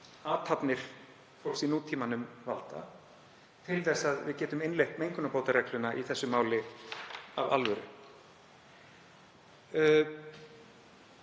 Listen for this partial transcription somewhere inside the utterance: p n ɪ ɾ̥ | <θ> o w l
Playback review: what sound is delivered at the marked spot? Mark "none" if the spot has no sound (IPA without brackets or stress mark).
f